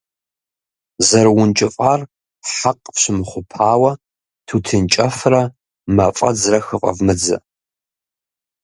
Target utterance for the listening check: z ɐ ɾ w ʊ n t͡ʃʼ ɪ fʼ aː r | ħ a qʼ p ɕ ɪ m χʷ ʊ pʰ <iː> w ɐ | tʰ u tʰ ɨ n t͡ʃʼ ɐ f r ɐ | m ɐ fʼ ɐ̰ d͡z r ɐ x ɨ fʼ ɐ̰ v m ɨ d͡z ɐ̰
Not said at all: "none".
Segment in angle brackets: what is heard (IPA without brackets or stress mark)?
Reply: aː